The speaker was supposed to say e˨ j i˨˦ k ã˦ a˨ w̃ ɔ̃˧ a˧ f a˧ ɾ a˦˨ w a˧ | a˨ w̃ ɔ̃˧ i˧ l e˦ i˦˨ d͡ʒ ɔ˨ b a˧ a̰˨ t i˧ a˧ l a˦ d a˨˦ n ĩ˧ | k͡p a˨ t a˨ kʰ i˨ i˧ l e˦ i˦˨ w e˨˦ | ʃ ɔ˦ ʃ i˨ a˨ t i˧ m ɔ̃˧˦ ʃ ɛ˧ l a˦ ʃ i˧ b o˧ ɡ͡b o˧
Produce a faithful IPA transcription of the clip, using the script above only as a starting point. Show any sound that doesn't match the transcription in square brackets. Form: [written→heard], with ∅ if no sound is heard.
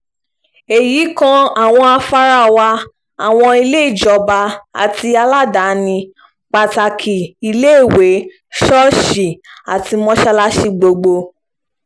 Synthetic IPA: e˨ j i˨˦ k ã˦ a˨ w̃ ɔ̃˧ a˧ f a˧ ɾ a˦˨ w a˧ | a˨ w̃ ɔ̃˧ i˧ l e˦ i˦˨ d͡ʒ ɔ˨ b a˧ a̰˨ t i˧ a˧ l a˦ d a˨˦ n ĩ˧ | k͡p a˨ t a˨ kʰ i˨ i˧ l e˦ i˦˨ w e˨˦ | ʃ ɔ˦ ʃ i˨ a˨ t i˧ m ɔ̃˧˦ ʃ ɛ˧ l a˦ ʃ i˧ [b→ɡ͡b] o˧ ɡ͡b o˧